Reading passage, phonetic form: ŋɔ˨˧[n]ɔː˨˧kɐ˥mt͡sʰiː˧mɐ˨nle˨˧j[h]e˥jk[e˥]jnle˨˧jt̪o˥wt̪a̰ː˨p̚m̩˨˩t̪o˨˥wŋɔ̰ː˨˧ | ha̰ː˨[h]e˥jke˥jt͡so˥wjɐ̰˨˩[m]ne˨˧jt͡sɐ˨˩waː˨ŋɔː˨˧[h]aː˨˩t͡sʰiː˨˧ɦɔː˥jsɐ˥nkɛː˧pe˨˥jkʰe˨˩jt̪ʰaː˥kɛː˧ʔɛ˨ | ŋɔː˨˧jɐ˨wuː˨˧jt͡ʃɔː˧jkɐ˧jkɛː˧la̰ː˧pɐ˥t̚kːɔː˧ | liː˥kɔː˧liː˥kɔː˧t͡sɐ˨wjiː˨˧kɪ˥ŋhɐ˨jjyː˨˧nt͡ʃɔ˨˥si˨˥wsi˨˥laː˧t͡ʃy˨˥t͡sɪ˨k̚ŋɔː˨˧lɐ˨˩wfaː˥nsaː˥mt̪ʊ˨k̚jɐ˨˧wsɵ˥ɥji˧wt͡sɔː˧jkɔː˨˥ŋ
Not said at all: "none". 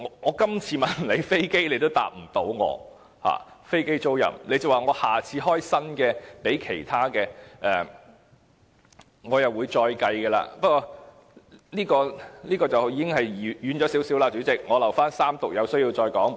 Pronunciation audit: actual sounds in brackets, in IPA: ŋ, f, e˥, f, m, h

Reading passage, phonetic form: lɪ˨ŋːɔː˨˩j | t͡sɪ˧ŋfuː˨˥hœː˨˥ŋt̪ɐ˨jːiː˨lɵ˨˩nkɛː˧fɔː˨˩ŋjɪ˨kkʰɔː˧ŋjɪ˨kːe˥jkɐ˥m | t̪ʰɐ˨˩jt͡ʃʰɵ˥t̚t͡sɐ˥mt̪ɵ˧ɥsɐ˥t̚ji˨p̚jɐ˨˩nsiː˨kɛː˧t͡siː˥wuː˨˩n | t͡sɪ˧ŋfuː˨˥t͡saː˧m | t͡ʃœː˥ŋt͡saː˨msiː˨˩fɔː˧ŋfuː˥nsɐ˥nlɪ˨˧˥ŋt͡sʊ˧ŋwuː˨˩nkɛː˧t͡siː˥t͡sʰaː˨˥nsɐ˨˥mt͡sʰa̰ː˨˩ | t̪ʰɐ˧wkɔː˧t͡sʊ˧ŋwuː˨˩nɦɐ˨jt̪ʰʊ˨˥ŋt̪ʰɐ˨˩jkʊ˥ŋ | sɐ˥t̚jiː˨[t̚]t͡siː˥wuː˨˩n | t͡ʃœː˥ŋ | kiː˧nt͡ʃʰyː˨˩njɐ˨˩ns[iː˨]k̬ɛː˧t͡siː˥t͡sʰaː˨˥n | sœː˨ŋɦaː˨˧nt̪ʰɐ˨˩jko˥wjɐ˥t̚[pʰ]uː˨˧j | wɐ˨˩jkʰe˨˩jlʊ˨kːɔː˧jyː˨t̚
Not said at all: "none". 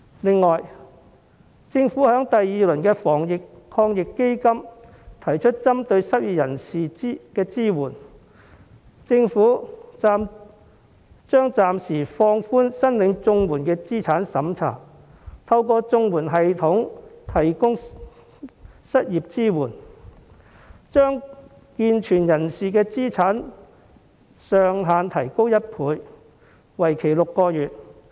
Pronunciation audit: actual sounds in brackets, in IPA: p̚, iː˨, pʰ

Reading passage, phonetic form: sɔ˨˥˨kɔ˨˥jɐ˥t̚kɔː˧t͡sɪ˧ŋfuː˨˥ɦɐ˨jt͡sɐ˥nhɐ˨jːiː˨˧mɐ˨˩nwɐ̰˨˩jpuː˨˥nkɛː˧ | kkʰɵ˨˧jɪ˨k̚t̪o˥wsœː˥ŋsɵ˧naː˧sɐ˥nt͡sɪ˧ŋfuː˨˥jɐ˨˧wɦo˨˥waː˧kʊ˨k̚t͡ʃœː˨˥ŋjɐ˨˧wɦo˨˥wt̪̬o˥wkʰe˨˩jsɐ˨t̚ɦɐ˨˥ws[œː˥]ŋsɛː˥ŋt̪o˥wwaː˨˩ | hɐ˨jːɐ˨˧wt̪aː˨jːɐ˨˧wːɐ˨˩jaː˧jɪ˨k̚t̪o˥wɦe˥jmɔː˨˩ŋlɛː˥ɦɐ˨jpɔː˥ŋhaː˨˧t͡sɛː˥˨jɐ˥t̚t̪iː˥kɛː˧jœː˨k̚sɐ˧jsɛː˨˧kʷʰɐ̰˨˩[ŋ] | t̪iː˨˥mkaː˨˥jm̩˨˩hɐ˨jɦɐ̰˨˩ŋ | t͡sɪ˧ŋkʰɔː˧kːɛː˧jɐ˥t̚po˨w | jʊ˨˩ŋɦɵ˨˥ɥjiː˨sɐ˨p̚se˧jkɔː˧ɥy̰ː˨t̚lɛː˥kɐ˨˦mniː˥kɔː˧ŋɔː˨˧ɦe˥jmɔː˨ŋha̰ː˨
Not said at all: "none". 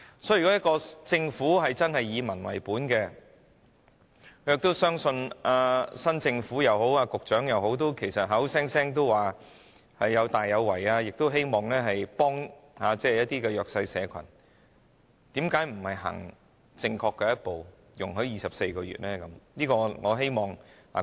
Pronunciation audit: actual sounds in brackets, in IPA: ɛː˥, n

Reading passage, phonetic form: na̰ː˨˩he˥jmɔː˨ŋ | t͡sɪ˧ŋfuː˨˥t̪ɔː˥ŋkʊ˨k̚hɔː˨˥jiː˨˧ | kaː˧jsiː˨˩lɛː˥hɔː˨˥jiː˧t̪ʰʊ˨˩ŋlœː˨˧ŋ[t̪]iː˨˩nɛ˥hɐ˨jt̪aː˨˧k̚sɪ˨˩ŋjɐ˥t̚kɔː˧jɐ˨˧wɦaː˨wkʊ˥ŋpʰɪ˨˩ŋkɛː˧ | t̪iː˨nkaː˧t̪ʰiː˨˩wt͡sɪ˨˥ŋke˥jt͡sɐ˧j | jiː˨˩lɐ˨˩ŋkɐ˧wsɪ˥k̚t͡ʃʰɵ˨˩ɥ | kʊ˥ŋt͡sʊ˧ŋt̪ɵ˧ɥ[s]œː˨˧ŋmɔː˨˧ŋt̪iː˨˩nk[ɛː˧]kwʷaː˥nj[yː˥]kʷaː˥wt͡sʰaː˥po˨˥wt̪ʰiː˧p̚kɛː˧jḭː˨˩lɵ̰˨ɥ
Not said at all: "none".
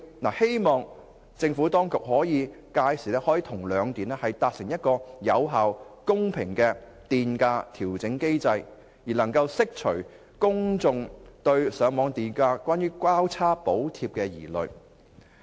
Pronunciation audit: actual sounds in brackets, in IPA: t̪, s, aː˧, yː˥

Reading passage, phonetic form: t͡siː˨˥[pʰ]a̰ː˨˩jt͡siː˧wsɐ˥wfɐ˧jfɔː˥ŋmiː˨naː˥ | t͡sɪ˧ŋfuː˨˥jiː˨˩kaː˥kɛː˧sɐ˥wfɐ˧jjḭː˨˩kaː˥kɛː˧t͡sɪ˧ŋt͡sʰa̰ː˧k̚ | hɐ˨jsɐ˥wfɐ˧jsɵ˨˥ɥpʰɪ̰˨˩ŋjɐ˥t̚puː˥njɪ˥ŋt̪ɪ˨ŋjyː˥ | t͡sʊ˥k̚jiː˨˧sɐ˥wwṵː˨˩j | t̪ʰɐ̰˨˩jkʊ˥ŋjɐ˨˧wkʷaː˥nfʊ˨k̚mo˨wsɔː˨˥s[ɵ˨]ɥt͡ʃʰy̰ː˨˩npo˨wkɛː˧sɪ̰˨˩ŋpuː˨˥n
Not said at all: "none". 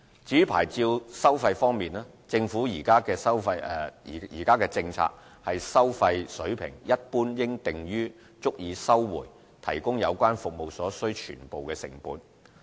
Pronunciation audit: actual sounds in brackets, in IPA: pʰ, ɵ˥

